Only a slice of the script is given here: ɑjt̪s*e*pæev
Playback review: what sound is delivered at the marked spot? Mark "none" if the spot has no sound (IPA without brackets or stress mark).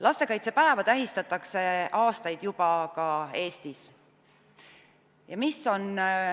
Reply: e